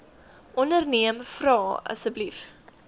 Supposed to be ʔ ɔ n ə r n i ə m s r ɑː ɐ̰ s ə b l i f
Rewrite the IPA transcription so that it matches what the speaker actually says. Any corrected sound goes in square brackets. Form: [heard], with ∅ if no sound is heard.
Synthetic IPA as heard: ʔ ɔ n ə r n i ə m [f] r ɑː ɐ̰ s ə b l i f